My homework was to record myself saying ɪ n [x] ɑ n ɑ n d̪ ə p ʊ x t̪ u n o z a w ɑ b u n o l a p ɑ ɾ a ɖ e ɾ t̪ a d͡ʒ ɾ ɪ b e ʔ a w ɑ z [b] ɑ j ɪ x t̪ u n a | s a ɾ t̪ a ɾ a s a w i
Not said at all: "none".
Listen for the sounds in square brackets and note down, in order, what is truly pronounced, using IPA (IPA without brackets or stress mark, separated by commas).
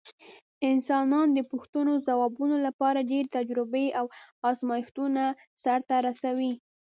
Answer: s, m